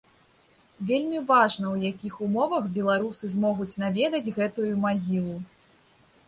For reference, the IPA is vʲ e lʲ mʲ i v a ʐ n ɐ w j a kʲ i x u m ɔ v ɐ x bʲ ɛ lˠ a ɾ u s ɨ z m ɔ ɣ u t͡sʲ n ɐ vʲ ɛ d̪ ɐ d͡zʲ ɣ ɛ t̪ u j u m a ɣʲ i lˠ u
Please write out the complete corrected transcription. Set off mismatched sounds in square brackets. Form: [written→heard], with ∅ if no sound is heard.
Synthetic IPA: vʲ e lʲ mʲ i v a ʐ n ɐ w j a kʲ i x u m ɔ v ɐ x bʲ ɛ lˠ a ɾ u s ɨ z m ɔ ɣ u t͡sʲ n [ɐ→a] vʲ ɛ d̪ ɐ d͡zʲ ɣ ɛ t̪ u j u m a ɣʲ i lˠ u